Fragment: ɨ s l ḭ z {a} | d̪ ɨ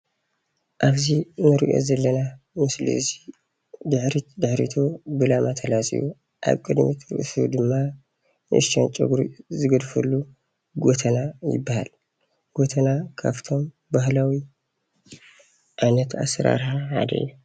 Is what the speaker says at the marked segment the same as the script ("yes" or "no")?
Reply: no